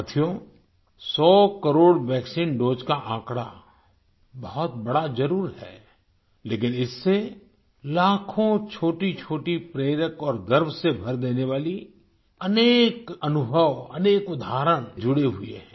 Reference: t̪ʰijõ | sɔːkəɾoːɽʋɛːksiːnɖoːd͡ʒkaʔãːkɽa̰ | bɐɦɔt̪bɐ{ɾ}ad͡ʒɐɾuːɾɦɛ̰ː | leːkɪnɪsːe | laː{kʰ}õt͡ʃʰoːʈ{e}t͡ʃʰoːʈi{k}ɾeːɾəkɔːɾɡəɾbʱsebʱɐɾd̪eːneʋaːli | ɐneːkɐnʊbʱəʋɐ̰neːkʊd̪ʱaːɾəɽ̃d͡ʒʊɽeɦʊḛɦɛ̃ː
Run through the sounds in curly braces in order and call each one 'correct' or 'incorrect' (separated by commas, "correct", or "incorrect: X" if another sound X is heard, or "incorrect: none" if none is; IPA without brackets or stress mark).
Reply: incorrect: ɽ, correct, incorrect: i, incorrect: p